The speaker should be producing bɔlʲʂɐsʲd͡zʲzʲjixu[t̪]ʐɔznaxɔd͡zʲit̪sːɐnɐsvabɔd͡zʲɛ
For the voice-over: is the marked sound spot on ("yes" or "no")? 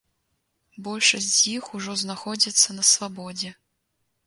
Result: no